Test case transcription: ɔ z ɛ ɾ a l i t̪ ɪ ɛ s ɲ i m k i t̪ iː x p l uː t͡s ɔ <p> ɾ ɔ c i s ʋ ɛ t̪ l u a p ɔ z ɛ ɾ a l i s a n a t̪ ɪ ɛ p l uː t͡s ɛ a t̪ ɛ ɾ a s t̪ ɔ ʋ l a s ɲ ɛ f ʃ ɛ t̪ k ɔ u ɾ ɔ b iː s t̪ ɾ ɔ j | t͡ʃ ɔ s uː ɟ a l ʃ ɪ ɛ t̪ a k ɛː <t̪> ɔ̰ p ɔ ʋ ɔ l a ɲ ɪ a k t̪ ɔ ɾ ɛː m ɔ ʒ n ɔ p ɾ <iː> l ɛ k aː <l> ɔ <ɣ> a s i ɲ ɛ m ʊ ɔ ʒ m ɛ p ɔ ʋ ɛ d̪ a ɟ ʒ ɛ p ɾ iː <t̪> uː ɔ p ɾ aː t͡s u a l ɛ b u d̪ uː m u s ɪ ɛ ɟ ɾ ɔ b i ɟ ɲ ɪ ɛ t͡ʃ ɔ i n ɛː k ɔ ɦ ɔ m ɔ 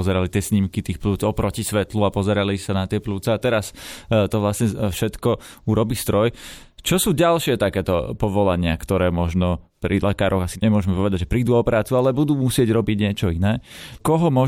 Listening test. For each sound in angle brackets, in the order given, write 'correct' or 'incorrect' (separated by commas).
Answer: correct, correct, incorrect, incorrect, correct, incorrect